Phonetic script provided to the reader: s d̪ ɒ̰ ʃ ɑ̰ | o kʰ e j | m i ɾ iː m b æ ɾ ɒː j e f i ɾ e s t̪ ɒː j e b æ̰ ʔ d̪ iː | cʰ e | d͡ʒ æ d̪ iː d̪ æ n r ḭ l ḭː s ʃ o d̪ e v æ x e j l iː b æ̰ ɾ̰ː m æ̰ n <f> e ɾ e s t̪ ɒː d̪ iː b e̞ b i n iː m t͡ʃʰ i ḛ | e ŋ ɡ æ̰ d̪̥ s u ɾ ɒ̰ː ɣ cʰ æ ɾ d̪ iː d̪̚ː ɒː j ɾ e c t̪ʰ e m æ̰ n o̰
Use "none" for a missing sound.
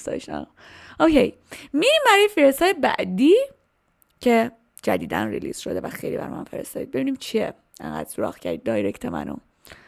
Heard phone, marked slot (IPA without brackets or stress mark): f